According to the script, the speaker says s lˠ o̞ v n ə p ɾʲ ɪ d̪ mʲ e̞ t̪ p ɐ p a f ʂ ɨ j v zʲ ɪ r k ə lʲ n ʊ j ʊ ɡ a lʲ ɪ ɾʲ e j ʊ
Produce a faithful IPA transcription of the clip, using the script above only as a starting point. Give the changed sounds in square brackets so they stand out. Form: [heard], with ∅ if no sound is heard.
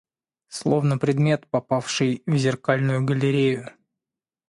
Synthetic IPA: s lˠ o̞ v n ə p ɾʲ ɪ d̪ mʲ e̞ t̪ p ɐ p a f ʂ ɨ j v zʲ ɪ r k [a] lʲ n ʊ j ʊ ɡ [ə] lʲ ɪ ɾʲ e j ʊ